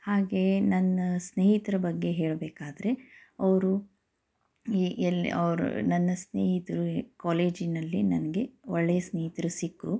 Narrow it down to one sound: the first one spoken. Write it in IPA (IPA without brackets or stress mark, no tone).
h